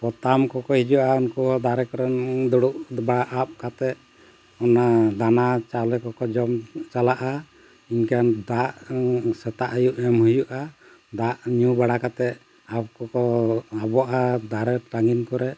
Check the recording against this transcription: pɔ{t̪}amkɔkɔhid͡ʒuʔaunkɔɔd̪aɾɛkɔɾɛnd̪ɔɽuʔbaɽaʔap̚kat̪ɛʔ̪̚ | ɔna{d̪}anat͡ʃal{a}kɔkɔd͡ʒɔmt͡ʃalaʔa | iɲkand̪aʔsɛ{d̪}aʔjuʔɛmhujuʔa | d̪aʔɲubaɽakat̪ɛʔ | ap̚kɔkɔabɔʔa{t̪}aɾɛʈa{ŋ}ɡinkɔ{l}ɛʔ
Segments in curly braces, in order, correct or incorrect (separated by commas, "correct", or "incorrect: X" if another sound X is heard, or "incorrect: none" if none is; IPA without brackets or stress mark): correct, correct, incorrect: ɛ, incorrect: t̪, incorrect: d̪, correct, incorrect: ɾ